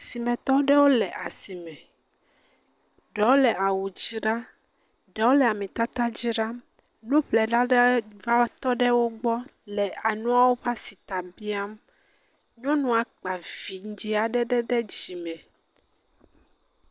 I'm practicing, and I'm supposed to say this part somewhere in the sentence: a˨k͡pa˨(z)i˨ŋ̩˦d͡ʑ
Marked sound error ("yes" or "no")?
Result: yes